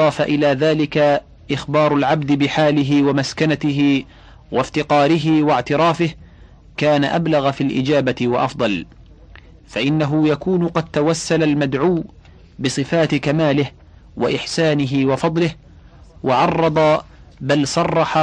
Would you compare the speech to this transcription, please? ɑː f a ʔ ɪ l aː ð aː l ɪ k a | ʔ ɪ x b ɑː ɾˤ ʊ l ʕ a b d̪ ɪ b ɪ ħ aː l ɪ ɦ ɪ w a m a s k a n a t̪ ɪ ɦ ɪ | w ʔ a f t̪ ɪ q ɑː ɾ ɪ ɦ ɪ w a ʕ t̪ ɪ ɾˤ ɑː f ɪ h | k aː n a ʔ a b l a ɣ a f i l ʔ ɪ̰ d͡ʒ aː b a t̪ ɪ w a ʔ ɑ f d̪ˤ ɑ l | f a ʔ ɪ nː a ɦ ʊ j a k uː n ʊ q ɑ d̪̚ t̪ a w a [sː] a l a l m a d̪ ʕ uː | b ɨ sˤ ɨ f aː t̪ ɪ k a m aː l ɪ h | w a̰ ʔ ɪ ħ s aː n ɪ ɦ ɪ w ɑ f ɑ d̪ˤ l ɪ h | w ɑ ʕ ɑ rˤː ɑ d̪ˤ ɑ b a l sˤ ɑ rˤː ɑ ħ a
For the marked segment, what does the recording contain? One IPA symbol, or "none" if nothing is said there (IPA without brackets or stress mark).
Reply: sː